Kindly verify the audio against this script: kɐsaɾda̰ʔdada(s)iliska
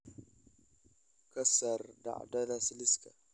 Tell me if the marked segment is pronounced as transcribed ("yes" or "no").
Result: yes